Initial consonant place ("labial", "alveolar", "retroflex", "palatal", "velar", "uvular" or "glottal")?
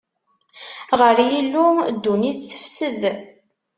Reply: uvular